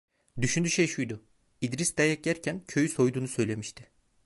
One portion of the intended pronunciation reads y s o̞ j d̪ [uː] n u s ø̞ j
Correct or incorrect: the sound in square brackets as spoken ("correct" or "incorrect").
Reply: correct